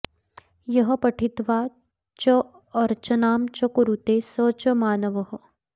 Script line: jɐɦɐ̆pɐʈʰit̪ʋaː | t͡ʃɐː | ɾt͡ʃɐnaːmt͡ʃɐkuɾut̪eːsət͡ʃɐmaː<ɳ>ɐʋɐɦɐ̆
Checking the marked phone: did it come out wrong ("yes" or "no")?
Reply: yes